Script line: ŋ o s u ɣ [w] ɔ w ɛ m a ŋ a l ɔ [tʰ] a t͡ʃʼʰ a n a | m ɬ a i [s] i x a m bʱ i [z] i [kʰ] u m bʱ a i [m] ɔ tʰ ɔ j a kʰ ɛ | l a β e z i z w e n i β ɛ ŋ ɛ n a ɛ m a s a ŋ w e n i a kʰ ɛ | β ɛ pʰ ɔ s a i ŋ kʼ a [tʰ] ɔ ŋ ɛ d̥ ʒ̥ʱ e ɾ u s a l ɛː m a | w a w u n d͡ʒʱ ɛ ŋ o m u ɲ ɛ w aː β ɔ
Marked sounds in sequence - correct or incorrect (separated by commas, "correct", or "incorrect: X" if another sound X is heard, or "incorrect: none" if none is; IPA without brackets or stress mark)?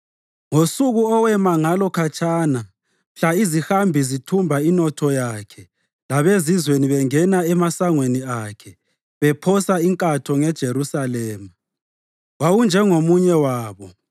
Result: incorrect: u, incorrect: kʰ, incorrect: z, correct, incorrect: tʰ, incorrect: n, correct